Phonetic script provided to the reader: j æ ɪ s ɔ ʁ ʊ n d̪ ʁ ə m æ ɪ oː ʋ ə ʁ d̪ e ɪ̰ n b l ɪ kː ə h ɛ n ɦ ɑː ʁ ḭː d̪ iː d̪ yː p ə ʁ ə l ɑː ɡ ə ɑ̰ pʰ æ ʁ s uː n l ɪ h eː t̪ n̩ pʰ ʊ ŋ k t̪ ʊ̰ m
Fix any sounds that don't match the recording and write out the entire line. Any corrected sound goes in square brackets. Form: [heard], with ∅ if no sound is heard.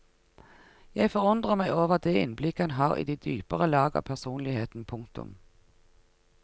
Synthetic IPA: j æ ɪ [f] ɔ ʁ ʊ n d̪ ʁ ə m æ ɪ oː ʋ ə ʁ d̪ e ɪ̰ n b l ɪ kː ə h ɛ n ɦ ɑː ʁ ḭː d̪ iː d̪ yː p ə ʁ ə l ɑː ɡ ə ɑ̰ pʰ æ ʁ s uː n l ɪ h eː t̪ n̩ pʰ ʊ ŋ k t̪ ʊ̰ m